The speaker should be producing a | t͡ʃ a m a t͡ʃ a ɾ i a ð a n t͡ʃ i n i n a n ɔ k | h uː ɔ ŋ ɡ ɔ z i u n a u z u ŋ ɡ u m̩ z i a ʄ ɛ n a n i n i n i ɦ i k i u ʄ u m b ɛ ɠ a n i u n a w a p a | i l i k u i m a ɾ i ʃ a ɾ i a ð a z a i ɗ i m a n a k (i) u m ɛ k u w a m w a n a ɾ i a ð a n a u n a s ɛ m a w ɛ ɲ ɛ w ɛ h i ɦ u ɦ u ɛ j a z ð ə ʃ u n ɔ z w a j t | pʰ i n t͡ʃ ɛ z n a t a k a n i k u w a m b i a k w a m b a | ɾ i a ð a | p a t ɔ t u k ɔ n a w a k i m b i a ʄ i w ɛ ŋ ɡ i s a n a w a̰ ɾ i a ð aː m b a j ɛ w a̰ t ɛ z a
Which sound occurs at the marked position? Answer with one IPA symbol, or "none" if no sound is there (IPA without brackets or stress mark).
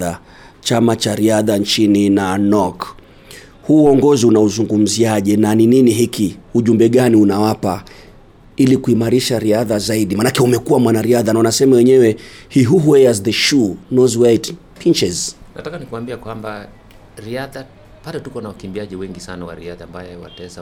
ɛ